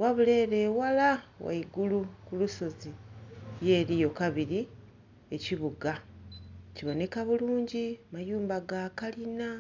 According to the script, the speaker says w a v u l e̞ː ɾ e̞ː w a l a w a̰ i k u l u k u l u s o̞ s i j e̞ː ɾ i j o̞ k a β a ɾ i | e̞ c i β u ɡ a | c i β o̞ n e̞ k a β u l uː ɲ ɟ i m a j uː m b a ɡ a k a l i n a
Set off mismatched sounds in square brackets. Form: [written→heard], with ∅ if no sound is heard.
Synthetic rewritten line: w a [v→β] u l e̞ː ɾ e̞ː w a l a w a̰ i [k→ɡ] u l u k u l u s o̞ [s→z] i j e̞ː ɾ i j o̞ k a β [a→i] ɾ i | e̞ c i β u ɡ a | c i β o̞ n e̞ k a β u l uː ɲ ɟ i m a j uː m b a ɡ a k a l i n a